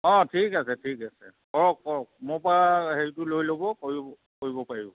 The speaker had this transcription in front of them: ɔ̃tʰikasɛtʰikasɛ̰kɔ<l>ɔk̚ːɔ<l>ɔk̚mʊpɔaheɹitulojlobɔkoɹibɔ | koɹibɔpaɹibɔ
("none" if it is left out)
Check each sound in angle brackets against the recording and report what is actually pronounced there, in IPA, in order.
ɹ, ɹ

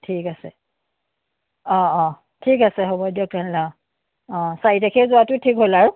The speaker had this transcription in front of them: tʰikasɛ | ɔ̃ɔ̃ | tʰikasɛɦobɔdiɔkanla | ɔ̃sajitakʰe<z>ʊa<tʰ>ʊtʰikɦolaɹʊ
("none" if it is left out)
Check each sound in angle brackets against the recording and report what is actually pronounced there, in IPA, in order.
z, t

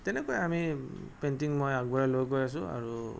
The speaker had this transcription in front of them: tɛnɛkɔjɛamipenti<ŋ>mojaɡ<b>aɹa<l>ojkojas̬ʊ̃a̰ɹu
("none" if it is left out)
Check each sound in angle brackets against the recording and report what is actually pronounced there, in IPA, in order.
ŋ, b, l

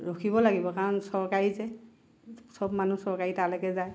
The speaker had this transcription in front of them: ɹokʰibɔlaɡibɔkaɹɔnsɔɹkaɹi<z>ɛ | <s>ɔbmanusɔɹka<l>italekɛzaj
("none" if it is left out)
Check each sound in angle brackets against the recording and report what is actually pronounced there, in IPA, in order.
z, s, ɹ

